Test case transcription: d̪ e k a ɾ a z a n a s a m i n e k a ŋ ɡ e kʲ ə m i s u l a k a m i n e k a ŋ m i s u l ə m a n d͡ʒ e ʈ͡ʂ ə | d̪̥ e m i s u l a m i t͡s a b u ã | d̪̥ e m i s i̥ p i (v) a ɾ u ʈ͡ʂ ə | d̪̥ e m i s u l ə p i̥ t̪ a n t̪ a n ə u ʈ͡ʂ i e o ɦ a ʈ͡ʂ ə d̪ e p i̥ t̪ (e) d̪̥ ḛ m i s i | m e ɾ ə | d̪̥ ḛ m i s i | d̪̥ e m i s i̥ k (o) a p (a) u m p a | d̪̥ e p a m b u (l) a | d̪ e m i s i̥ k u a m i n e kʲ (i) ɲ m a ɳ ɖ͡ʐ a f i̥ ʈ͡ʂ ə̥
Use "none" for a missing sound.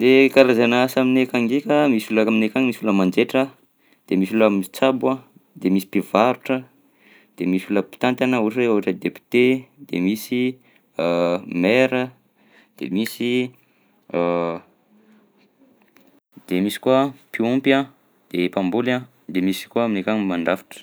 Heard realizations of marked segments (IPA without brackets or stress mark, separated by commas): v, e, u, i, l, a